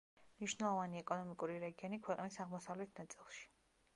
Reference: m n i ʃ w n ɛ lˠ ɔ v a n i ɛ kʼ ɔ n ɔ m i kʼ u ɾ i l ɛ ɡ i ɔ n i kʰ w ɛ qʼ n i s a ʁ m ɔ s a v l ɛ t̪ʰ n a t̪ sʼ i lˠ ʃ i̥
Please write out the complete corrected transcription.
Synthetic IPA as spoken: m n i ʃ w n ɛ lˠ ɔ v a n i ɛ kʼ ɔ n ɔ m i kʼ u ɾ i ɾ ɛ ɡ i ɔ n i kʰ w ɛ qʼ n i s a ʁ m ɔ s a v l ɛ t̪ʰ n a t̪ sʼ i lˠ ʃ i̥